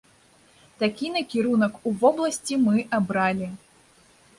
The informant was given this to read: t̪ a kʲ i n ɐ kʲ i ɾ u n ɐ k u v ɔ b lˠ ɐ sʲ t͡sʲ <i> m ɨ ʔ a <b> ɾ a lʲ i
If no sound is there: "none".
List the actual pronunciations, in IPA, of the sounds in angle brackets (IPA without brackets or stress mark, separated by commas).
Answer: i, b